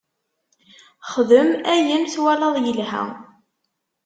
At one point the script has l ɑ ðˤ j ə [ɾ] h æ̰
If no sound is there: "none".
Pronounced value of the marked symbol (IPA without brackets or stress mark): l